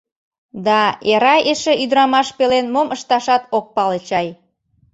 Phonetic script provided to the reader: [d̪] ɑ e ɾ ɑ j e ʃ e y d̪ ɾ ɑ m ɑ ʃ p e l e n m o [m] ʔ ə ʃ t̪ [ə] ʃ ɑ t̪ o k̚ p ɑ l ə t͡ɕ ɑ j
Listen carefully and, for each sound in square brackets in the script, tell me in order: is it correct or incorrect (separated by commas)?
correct, correct, incorrect